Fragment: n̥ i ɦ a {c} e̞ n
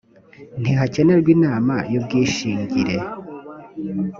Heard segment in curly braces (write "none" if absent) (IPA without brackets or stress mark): c